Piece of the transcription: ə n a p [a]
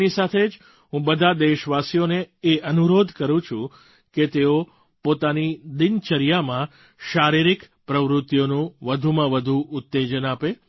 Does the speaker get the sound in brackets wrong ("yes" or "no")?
yes